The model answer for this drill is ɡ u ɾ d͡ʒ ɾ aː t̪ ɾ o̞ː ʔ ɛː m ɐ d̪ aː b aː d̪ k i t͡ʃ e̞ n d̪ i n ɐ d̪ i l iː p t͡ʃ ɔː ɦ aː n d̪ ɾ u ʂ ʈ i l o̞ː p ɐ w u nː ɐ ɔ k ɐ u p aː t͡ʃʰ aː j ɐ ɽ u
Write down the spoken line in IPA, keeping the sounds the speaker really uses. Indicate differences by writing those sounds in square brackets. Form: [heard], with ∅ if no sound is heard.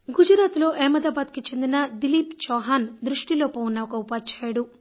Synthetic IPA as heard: ɡ u [∅] d͡ʒ ɾ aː t̪ [l] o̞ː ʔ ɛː m ɐ d̪ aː b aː d̪ k i t͡ʃ e̞ n d̪ i n ɐ d̪ i l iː p t͡ʃ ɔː ɦ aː n d̪ ɾ u ʂ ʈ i l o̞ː p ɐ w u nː ɐ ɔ k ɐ u p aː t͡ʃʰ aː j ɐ ɽ u